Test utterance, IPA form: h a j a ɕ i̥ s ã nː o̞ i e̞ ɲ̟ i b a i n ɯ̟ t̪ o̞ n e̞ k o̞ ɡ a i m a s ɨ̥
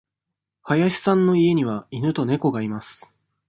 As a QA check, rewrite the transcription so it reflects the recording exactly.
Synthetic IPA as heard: h a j a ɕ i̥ s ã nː o̞ i e̞ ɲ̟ i β a i n ɯ̟ t̪ o̞ n e̞ k o̞ ɡ a i m a s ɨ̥

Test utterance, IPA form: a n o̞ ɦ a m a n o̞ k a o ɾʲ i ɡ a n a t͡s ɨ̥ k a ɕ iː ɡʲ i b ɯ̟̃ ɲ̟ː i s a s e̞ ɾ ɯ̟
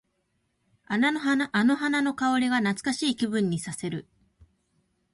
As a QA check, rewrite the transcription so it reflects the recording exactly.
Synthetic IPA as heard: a n o̞ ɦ a n a n o̞ k a o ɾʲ i ɡ a n a t͡s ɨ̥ k a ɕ iː kʲ i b ɯ̟̃ ɲ̟ː i s a s e̞ ɾ ɯ̟

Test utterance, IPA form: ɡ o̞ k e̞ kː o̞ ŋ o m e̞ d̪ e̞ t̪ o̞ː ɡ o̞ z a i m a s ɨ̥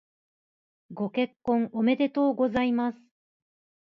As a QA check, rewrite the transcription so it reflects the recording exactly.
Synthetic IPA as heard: ɡ o̞ k e̞ kː õ̞ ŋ o m e̞ d̪ e̞ t̪ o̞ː ɡ o̞ z a i m a s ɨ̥

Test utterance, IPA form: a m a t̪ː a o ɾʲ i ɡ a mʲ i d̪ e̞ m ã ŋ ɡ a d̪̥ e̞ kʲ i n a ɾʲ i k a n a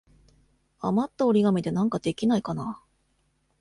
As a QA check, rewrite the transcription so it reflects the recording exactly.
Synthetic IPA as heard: a m a t̪ː a o ɾʲ i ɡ a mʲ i d̪ e̞ n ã ŋ k a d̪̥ e̞ kʲ i n a i k a n a

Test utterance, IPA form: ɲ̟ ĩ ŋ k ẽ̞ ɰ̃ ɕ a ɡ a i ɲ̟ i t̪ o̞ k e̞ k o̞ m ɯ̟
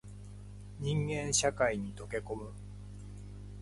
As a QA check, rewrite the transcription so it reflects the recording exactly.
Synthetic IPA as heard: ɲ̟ ĩ ŋ ɡ ẽ̞ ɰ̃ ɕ a k a i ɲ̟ i t̪ o̞ k e̞ k o̞ m ɯ̟

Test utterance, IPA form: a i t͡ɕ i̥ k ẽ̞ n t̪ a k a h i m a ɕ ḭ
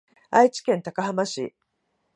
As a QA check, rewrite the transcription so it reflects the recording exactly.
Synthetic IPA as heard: a i t͡ɕ i̥ k ẽ̞ n t̪ a k a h a m a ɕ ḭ

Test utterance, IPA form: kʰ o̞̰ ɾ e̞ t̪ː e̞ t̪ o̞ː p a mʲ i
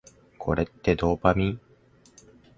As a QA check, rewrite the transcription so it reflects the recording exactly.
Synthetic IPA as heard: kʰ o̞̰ ɾ e̞ t̪ː e̞ d̪ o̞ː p a mʲ i

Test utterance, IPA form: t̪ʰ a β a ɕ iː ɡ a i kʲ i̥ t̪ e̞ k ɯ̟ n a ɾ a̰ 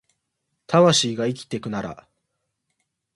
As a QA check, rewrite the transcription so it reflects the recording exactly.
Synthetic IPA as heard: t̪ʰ a β a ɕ iː ɡ a i kʲ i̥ t̪ e̞ k ɯ̟ n a ɾ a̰

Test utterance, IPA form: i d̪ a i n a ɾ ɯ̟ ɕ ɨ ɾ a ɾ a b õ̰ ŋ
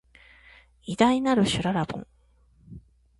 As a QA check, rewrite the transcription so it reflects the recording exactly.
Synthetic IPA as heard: i d̪ a i n a ɾ ɯ̟ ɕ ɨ ɾ a ɾ a b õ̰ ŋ

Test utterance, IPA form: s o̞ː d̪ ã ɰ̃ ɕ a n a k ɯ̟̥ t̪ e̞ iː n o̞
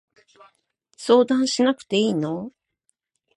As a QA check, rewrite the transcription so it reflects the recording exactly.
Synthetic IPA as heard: s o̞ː d̪ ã ɰ̃ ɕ i n a k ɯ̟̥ t̪ e̞ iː n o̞

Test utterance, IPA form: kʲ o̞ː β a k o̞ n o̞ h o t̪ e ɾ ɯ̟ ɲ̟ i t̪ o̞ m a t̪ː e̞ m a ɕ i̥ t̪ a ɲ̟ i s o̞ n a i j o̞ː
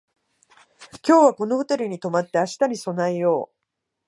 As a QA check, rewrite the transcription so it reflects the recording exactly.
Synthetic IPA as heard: kʲ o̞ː β a k o̞ n o̞ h o t̪ e ɾ ɯ̟ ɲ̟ i t̪ o̞ m a t̪ː e̞ a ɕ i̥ t̪ a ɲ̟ i s o̞ n a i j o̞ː

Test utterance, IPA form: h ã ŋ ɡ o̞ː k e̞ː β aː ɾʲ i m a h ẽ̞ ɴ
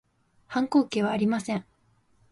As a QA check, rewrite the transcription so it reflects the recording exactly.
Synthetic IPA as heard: h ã ŋ k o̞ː k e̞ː β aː ɾʲ i m a s ẽ̞ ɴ

